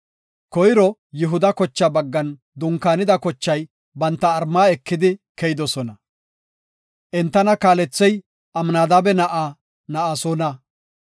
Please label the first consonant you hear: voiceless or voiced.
voiceless